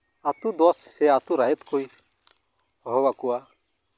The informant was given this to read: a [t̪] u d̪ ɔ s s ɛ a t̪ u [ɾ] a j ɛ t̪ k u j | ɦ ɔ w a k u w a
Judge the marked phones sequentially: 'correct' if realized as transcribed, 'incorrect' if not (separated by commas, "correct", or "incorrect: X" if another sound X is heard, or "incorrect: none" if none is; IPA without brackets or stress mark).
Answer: correct, correct